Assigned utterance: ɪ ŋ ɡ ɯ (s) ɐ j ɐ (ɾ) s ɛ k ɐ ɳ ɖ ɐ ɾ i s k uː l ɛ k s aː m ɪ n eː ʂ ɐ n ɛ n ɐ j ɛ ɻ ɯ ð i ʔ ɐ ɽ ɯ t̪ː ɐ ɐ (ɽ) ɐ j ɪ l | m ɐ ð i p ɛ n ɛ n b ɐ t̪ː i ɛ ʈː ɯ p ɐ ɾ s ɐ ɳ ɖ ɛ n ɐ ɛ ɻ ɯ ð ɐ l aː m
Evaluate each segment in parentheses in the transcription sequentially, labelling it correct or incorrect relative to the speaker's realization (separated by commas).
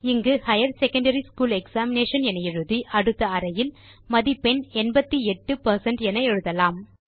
incorrect, correct, incorrect